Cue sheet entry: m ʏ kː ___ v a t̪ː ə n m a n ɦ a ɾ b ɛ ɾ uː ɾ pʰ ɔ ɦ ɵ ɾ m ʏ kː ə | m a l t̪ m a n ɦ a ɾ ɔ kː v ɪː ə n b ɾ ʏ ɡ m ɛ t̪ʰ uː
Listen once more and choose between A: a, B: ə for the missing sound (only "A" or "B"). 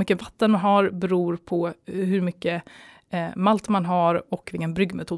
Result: B